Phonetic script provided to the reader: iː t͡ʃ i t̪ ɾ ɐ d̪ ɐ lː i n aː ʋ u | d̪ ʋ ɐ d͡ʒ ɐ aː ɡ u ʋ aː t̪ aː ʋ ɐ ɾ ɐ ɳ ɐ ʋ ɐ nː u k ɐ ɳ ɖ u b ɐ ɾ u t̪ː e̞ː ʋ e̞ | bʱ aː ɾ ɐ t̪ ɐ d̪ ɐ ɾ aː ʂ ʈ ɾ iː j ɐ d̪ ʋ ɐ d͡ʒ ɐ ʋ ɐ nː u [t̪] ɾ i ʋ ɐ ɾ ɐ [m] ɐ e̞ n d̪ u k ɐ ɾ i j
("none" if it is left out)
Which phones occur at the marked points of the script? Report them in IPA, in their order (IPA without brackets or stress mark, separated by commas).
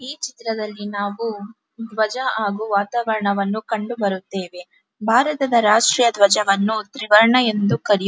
t̪, ɳ